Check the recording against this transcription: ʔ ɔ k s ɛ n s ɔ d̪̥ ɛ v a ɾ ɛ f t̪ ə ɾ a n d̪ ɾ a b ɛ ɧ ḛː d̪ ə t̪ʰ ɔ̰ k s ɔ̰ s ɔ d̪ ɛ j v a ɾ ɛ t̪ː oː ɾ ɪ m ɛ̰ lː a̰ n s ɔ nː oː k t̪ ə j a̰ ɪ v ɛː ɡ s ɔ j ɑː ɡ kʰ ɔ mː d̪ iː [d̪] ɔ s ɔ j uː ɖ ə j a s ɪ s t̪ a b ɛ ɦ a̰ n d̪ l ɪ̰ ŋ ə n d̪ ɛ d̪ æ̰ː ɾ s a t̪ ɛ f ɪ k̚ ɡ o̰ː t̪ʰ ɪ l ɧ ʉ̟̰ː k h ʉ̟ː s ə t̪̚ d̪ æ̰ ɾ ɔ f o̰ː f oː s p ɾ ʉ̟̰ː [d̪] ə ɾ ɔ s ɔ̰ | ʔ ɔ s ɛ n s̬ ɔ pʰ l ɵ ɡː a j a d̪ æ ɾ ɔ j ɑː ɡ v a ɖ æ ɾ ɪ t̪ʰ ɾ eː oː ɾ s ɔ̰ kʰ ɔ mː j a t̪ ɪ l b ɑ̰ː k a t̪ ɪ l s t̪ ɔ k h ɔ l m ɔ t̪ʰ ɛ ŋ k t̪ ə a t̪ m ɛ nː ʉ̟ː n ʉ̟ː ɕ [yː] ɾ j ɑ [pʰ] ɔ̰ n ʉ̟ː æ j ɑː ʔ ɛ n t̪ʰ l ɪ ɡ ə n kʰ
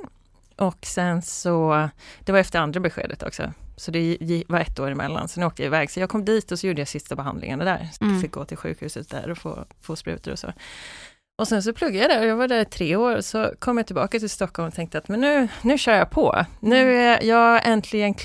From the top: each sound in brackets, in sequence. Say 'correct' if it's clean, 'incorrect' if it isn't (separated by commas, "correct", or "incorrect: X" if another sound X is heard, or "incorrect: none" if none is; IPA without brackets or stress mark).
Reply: incorrect: t̪, incorrect: t̪, incorrect: œː, correct